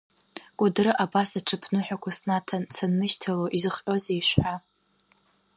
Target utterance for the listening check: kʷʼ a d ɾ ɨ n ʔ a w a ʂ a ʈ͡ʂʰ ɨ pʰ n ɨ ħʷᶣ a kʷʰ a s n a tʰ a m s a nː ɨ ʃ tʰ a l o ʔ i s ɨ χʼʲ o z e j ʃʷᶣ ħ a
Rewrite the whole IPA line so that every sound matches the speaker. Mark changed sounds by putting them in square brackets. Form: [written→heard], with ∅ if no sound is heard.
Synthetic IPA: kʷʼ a d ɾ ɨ [n→∅] ʔ a [w→b] a [ʂ→s] a ʈ͡ʂʰ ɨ pʰ n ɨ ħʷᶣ a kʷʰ a s n a tʰ a [m→n] s a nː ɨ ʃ tʰ a l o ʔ i [s→z] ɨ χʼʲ o z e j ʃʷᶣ ħ a